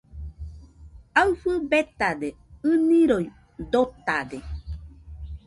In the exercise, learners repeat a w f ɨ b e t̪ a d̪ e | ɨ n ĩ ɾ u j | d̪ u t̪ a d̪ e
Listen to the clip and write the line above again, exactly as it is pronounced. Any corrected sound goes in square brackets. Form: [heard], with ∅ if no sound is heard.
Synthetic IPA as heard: a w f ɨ b e t̪ a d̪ e | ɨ n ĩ ɾ [o] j | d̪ [o] t̪ a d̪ e